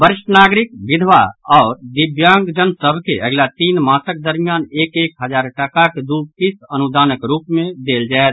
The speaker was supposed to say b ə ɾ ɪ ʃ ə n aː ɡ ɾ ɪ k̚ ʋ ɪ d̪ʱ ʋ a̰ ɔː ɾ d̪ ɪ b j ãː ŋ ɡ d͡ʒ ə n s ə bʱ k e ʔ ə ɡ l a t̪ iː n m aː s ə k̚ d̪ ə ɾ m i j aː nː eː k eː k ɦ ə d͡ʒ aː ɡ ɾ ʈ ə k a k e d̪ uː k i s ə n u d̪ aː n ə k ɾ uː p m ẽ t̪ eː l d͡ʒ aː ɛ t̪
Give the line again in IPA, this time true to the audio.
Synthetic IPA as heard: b ə ɾ ɪ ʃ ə n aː ɡ ɾ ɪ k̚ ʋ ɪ d̪ʱ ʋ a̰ ɔː ɾ d̪ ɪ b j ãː ŋ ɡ d͡ʒ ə n s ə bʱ k e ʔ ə ɡ l a t̪ iː n m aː s ə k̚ d̪ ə ɾ m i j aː n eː k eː k ɦ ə d͡ʒ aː ɾ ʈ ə k a k e d̪ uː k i s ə n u d̪ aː n ə k ɾ uː p m ẽ d̪ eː l d͡ʒ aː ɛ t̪